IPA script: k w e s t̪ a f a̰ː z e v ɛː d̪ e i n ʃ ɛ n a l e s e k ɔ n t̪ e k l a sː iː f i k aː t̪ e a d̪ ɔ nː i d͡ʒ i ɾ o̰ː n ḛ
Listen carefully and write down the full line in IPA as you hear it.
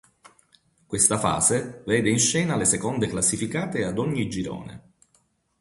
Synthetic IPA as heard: k w e s t̪ a f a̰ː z e v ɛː d̪ e i n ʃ ɛː n a l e s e k ɔ n d̪ e k l a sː i f i k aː t̪ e a d̪ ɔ ɲː i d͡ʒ i ɾ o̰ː n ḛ